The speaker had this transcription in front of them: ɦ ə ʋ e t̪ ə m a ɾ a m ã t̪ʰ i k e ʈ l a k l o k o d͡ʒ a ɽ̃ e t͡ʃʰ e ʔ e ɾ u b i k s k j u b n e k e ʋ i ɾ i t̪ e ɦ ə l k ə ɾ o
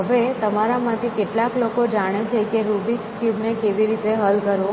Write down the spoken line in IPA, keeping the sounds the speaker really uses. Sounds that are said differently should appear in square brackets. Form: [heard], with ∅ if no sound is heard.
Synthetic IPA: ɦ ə ʋ e t̪ ə m a ɾ a m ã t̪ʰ i k e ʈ l a k l o k o d͡ʒ a ɽ̃ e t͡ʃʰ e [k] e ɾ u b i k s k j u b n e k e ʋ i ɾ i t̪ e ɦ ə l k ə ɾ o